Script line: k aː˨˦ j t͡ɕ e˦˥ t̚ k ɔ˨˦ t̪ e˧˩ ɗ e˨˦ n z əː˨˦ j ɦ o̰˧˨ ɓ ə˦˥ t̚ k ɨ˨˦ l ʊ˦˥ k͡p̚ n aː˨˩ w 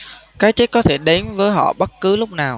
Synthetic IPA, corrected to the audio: k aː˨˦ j t͡ɕ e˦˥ t̚ k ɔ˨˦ t̪ʰ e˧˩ ɗ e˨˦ n v əː˨˦ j ɦ ɔ̰˧˨ ɓ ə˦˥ t̚ k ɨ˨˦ l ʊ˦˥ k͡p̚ n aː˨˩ w